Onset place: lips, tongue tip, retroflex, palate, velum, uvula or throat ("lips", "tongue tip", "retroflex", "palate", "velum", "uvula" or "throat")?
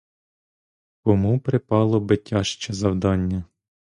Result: velum